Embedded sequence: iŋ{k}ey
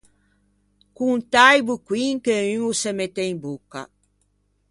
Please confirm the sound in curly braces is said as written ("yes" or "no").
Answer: yes